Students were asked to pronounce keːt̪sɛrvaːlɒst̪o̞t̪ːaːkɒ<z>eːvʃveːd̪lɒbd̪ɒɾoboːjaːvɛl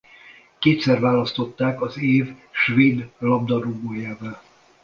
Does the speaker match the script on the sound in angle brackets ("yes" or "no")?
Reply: yes